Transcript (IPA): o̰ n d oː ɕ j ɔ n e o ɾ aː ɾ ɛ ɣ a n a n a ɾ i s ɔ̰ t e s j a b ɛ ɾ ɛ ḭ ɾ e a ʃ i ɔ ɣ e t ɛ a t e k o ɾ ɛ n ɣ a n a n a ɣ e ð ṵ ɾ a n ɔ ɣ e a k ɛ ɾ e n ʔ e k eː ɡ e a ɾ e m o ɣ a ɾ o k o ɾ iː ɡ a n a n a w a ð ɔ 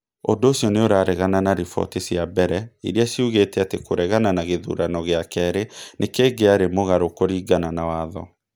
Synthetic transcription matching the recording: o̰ n d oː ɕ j ɔ n e o ɾ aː ɾ ɛ ɣ a n a n a ɾ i f ɔ̰ t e s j a b ɛ ɾ ɛ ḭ ɾ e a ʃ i u ɣ e t ɛ a t e k o ɾ ɛ ɣ a n a n a ɣ e ð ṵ ɾ a n ɔ ɣ e a k ɛ ɾ e n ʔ e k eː ɡ e a ɾ e m o ɣ a ɾ o k o ɾ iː ɡ a n a n a w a ð ɔ